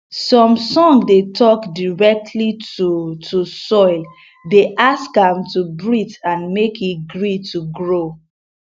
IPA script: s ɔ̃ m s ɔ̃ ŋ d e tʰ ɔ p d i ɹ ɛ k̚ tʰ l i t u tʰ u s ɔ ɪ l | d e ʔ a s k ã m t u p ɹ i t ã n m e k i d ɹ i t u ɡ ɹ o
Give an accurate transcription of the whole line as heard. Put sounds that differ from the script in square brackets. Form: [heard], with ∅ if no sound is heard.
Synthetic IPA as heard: s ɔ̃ m s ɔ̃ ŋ d e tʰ ɔ [k] d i ɹ ɛ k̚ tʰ l i t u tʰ u s ɔ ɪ l | d e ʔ a s k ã m t u [b] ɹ i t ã n m e k i [ɡ] ɹ i t u ɡ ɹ o

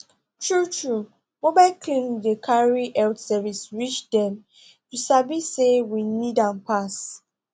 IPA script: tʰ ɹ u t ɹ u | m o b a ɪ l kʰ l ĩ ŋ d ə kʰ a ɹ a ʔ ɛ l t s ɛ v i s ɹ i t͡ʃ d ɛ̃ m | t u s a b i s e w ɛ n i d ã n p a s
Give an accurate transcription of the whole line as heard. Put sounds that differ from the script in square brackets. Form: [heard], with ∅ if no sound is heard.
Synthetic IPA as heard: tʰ ɹ u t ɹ u | m o b a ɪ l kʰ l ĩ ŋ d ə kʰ a ɹ [i] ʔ ɛ l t s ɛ v i s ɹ i t͡ʃ d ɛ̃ m | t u s a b i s e w [i] n i d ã n p a s

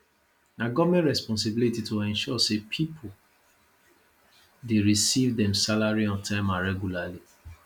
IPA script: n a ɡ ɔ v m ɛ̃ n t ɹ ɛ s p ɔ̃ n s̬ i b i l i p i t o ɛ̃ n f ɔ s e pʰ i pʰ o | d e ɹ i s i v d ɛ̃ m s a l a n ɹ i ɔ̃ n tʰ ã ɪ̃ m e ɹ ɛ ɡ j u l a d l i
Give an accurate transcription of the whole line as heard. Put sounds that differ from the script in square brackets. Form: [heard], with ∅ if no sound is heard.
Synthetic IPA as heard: n a ɡ ɔ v m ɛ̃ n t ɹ ɛ s p ɔ̃ n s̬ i b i l i [t] i t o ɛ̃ n [ʃ] ɔ s e pʰ i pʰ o | d e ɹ i s i v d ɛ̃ m s a l a [∅] ɹ i ɔ̃ n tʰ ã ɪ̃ m [a] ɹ ɛ ɡ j u l a [∅] l i

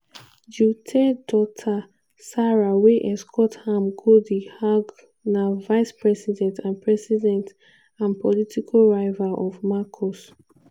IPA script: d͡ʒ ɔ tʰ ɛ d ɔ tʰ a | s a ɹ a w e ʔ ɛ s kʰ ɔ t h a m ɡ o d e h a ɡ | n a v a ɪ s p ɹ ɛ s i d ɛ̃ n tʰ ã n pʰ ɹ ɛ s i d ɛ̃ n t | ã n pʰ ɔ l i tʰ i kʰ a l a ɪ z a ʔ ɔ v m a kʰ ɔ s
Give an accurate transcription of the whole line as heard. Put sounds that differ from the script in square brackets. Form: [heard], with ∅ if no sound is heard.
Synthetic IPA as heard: d͡ʒ [u] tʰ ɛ d ɔ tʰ a | s a ɹ a w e ʔ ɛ s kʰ ɔ t h a m ɡ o d [i] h a ɡ | n a v a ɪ s p ɹ ɛ s i d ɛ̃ n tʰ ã n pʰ ɹ ɛ s i d ɛ̃ n t | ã n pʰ ɔ l i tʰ i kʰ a [ɹ] a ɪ [v] a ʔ ɔ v m a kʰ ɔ s

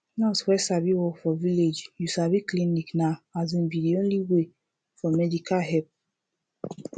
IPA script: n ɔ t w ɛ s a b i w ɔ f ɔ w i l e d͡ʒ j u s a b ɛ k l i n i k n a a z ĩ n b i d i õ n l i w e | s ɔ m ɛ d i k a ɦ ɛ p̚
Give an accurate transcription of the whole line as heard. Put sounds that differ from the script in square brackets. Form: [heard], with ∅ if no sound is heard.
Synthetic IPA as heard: n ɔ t w ɛ s a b i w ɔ f ɔ [v] i l e d͡ʒ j u s a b [i] k l i n i k n a a z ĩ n b i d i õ n l i w e | [f] ɔ m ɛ d i k a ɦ ɛ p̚

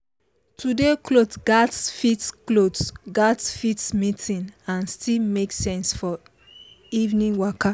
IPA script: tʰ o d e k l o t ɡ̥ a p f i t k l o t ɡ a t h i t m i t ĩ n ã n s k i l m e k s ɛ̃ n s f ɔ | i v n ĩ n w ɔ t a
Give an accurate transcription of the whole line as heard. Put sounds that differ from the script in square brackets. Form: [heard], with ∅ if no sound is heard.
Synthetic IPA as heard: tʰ [u] d e k l o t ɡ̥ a [t] f i t k l o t ɡ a t [f] i t m i t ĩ n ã n s [t] i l m e k s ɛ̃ n s f ɔ | i v n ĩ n w ɔ [k] a

